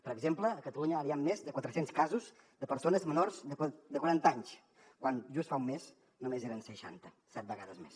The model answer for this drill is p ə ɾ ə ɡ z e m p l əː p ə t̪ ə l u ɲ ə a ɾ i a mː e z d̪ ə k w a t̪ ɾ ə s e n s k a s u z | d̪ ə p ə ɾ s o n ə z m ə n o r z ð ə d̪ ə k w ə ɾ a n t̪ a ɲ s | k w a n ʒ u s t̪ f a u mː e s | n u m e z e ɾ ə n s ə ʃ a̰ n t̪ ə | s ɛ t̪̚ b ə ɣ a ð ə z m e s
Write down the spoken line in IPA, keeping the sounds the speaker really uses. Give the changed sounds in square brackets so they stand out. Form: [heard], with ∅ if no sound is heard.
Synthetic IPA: p ə ɾ ə ɡ z e m p l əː [k] ə t̪ ə l u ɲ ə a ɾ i a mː e z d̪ ə k w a t̪ ɾ ə s e n s k a [z] u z | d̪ ə p ə ɾ s o n ə z m ə n o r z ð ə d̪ ə k w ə ɾ a n t̪ a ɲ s | k w a n ʒ u s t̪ f a u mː e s | n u m e z e ɾ ə n s ə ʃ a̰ n t̪ ə | s ɛ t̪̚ b ə ɣ a ð ə z m e s